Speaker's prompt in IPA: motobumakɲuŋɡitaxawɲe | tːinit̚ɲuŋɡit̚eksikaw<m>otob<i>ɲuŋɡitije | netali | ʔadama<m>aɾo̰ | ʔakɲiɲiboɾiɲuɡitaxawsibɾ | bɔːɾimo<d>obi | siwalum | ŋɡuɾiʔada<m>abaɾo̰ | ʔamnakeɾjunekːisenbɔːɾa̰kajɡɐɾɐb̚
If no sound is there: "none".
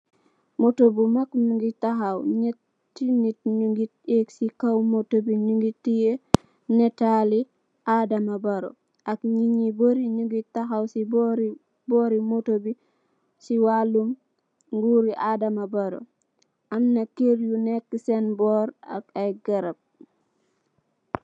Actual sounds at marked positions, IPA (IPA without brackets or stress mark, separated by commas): m, i, b, t, m